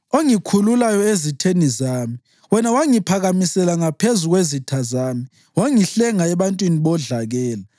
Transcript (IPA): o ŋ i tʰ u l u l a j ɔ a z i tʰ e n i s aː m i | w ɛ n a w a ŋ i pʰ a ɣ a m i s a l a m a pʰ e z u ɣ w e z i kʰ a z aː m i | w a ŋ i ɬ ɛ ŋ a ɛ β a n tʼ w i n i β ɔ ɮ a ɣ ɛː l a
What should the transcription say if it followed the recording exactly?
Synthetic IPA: o ŋ i kʰ u l u l a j ɔ e z i tʰ e n i z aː m i | w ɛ n a w a ŋ i pʰ a ɣ a m i s ɛ l a ŋ a pʰ e z u ɣ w e z i tʰ a z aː m i | w a ŋ i ɬ ɛ ŋ a ɛ β a n tʼ w i n i β ɔ ɮ a ɣ ɛː l a